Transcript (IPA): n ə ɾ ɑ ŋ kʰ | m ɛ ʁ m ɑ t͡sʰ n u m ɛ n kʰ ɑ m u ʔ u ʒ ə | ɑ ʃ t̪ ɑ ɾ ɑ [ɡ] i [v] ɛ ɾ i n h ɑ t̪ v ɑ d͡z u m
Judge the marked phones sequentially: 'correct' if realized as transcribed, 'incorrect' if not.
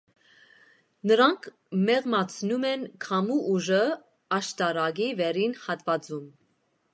correct, correct

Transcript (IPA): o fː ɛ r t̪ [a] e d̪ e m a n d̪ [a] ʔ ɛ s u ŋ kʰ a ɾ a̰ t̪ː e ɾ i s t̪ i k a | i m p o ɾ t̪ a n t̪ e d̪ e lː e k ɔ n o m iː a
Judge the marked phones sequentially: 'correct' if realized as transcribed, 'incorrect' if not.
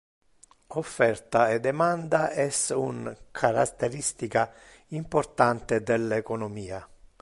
correct, correct

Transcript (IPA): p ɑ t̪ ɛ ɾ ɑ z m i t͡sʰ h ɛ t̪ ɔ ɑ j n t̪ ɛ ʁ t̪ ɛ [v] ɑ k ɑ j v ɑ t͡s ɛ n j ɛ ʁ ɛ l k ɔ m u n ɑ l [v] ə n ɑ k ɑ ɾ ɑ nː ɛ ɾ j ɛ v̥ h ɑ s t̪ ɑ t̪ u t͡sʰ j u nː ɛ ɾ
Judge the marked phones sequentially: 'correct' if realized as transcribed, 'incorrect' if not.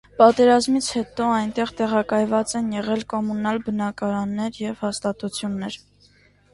incorrect, incorrect

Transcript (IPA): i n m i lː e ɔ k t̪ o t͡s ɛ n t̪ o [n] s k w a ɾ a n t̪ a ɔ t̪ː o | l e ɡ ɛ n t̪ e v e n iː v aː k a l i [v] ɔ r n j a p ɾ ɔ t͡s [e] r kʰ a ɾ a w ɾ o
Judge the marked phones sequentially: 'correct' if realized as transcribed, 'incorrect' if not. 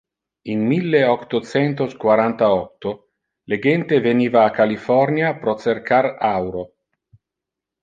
incorrect, incorrect, correct

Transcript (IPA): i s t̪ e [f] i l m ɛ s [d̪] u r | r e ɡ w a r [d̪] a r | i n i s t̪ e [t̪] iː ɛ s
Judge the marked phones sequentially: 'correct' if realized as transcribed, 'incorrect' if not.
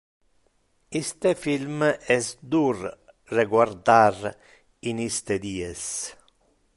correct, correct, correct, incorrect

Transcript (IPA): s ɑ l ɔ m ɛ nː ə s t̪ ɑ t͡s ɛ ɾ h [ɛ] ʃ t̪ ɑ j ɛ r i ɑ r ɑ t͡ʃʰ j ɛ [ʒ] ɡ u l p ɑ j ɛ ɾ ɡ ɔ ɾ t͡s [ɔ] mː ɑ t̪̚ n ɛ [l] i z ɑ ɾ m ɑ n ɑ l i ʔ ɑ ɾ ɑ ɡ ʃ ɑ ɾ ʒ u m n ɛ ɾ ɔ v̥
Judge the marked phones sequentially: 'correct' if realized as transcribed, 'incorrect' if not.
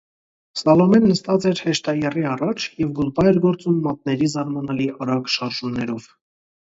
correct, incorrect, incorrect, incorrect

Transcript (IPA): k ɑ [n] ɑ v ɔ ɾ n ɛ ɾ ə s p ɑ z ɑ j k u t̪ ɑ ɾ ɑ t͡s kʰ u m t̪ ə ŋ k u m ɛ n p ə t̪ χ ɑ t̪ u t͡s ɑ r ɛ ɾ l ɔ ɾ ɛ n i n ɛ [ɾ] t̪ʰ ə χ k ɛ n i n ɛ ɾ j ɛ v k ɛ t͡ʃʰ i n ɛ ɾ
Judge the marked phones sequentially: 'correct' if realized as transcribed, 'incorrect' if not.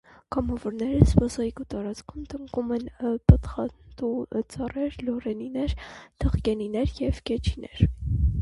incorrect, correct

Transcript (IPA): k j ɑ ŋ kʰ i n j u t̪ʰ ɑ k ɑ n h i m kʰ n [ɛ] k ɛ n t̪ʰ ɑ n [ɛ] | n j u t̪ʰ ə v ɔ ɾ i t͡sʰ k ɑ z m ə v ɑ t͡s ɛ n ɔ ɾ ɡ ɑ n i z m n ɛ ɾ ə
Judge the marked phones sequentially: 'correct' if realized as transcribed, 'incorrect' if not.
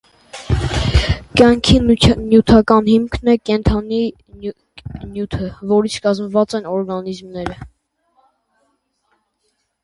correct, incorrect

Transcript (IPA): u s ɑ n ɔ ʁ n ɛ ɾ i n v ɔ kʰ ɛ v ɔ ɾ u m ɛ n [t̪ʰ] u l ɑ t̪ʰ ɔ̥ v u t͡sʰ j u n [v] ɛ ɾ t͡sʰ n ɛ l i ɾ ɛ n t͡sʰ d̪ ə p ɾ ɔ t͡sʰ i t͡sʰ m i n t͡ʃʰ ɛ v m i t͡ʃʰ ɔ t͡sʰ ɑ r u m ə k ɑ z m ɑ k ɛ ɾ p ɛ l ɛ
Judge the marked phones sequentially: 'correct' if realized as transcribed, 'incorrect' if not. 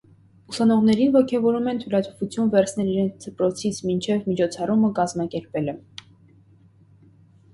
correct, correct

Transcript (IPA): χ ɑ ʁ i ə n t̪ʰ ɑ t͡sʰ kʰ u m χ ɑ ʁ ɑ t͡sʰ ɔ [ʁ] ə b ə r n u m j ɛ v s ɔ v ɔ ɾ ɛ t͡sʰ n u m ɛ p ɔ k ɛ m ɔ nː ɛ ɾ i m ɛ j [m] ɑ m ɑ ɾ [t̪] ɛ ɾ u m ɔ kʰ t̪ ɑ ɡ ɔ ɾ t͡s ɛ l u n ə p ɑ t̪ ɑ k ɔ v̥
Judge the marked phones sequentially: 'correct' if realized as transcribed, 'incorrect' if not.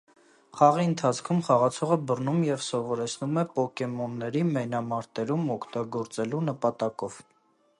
correct, incorrect, correct

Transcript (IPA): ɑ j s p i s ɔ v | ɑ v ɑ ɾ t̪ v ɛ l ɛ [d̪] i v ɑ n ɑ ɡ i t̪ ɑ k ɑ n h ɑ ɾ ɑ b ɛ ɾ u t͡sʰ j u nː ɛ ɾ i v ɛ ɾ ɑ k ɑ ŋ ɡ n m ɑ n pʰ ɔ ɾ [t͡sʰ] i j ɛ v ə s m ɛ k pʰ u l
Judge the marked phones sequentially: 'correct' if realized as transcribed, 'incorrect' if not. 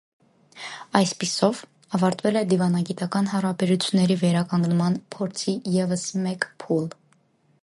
correct, correct

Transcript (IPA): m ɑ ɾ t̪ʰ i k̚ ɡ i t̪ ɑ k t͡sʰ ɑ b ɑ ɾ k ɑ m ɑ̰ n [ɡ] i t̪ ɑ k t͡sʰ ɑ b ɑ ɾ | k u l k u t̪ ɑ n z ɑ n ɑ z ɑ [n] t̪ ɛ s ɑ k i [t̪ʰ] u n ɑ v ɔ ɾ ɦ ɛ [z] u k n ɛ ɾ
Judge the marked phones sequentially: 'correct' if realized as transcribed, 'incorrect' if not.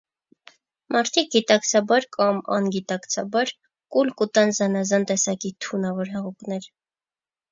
correct, correct, correct, incorrect

